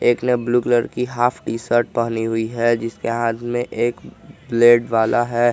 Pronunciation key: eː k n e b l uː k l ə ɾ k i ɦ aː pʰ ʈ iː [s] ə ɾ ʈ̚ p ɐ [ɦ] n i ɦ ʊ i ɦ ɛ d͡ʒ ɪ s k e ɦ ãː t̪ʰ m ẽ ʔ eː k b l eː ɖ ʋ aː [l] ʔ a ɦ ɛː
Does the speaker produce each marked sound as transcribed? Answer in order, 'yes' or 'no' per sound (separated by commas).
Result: yes, yes, yes